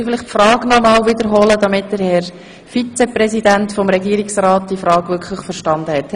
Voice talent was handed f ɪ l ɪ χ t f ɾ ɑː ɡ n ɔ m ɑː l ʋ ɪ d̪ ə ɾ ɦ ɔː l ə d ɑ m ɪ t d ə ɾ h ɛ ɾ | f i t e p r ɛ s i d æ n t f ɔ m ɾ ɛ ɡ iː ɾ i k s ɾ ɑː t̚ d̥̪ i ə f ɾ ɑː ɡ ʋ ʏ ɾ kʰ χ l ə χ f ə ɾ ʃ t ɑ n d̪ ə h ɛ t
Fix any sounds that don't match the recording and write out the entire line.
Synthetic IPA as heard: f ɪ l ɪ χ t f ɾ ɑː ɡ n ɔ m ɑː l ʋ ɪ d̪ ə ɾ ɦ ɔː l ə d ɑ m ɪ t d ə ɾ h ɛ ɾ | f i t͡s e p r ɛ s i d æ n t f ɔ m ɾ ɛ ɡ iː ɾ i k s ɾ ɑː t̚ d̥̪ i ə f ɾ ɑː ɡ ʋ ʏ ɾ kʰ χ l ə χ f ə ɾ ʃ t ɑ n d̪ ə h ɛ t